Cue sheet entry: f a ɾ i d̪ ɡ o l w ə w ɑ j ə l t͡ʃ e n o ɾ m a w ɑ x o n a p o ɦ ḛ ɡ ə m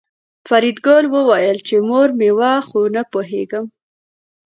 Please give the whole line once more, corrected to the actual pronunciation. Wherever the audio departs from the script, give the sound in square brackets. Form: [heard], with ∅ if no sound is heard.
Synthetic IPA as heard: f a ɾ i d̪ ɡ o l w ə w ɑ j ə l t͡ʃ e [m] o ɾ m [e] w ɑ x o n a p o ɦ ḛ ɡ ə m